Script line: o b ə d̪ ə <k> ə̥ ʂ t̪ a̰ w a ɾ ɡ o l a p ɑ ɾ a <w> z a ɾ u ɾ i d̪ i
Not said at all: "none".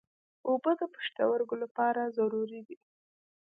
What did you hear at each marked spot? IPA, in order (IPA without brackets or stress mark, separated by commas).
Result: p, none